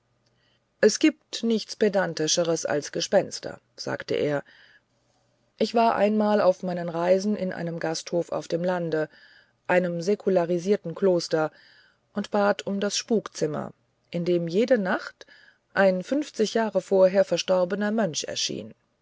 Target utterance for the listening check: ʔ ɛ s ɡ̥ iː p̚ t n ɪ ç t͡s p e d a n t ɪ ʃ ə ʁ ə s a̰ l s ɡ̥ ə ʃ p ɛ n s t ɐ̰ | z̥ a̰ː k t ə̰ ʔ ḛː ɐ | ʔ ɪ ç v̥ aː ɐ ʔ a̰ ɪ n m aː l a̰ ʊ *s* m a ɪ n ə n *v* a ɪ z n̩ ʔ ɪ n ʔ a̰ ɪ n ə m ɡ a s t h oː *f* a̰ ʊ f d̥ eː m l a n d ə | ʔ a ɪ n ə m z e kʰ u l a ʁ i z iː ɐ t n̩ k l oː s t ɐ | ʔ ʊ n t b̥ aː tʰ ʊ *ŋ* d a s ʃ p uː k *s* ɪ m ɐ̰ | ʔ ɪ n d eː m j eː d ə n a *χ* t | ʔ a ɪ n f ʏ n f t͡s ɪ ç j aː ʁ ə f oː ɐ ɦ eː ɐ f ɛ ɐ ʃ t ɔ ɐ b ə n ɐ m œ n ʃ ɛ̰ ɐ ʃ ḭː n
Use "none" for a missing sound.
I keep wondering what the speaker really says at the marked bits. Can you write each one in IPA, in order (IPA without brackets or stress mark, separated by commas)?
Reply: f, ʁ, f, m, t͡s, χ